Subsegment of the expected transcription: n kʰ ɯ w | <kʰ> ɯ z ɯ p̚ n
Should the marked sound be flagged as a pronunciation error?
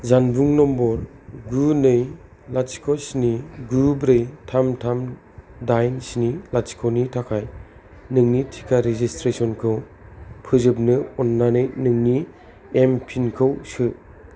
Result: yes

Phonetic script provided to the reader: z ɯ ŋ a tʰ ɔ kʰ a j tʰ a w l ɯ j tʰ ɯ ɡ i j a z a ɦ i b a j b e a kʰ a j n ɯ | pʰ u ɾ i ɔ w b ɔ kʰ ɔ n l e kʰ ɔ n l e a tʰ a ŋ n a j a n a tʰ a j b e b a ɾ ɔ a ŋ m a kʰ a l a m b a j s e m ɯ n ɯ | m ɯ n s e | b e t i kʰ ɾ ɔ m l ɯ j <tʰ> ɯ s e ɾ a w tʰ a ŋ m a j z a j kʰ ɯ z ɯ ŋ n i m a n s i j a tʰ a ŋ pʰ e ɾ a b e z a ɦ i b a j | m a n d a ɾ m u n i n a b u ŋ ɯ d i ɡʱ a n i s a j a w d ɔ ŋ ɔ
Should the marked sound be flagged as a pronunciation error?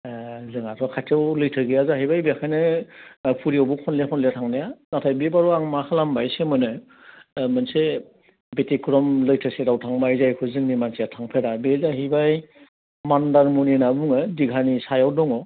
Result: no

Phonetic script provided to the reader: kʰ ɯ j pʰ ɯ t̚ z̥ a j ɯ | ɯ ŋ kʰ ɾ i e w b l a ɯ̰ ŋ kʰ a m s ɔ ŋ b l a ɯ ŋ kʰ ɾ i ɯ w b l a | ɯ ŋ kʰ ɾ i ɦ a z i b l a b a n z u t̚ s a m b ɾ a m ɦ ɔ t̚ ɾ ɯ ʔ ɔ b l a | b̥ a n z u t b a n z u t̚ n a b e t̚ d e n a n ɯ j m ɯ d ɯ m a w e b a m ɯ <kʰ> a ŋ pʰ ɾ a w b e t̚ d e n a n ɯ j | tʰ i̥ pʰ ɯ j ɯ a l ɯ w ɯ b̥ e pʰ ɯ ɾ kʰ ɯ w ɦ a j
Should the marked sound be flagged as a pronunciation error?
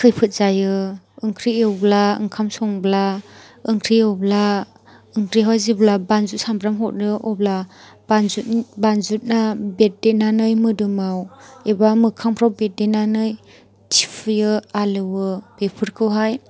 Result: no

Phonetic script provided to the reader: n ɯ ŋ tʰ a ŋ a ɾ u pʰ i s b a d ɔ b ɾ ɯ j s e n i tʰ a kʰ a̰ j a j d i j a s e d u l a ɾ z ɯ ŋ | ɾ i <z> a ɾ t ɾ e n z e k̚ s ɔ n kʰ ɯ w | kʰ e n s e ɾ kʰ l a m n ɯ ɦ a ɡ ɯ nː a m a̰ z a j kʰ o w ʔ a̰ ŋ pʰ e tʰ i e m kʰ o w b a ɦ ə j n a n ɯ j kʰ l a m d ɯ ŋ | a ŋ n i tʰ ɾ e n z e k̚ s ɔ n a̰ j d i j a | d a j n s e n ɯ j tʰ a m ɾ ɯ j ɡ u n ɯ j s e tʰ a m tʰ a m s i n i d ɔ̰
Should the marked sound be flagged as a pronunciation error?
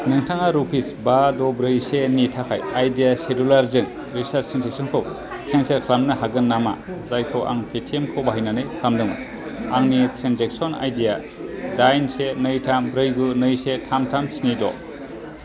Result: yes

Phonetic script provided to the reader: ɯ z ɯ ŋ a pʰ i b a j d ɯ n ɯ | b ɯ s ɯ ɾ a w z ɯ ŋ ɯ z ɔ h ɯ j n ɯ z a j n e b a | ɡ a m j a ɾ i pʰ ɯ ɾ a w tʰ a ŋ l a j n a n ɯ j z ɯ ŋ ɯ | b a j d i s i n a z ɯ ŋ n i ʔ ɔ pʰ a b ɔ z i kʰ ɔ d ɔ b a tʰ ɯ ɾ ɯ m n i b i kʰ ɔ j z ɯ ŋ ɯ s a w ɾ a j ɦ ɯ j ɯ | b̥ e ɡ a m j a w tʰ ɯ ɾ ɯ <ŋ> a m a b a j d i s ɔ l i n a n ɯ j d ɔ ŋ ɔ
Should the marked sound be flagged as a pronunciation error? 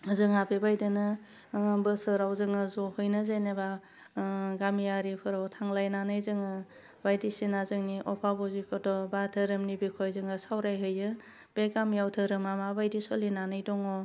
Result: yes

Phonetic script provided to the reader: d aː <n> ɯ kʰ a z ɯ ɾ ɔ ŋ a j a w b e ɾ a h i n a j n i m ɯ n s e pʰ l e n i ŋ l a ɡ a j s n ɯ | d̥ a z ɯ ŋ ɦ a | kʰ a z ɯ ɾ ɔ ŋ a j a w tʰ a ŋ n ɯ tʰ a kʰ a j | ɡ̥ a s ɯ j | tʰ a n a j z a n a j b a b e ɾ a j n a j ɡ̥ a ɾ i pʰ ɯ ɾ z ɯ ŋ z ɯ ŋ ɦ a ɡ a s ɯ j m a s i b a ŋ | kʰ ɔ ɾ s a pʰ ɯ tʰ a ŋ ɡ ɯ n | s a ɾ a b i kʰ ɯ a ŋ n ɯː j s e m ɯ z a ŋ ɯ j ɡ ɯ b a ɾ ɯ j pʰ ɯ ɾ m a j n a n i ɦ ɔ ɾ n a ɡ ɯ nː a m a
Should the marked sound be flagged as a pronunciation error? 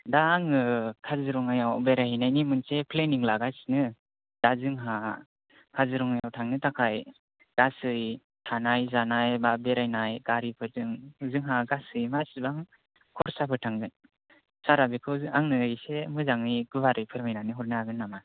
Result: yes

